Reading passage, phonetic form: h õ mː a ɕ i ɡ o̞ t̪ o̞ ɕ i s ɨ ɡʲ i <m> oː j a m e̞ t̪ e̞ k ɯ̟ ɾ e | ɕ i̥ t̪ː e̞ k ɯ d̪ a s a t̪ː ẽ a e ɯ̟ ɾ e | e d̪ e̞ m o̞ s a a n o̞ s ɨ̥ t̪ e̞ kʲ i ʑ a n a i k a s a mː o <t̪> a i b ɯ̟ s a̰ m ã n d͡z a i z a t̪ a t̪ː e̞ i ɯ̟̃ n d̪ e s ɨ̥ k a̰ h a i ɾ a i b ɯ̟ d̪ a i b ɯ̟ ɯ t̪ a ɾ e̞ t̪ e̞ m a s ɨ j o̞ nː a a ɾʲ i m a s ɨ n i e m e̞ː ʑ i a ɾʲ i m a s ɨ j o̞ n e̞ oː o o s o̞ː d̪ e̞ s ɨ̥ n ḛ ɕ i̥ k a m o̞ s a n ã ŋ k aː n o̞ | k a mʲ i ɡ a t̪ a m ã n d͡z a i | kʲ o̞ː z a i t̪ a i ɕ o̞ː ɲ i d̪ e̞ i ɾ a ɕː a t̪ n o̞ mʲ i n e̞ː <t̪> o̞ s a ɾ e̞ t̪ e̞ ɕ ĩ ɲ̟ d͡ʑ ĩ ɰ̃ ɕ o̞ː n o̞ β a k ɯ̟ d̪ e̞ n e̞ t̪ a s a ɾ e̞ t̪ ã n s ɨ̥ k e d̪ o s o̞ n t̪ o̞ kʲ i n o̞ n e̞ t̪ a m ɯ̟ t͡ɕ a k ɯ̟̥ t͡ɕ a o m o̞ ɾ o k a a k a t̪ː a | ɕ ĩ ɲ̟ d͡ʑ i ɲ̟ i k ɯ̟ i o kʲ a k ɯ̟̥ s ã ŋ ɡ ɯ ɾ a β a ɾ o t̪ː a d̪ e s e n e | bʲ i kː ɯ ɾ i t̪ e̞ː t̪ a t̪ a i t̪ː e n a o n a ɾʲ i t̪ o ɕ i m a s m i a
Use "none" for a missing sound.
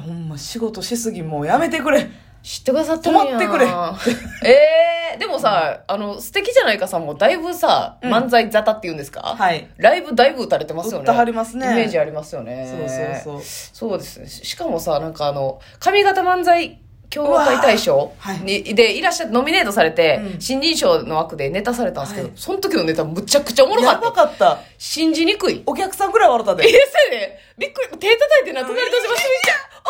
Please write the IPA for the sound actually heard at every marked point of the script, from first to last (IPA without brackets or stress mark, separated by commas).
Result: m, d̪, t̪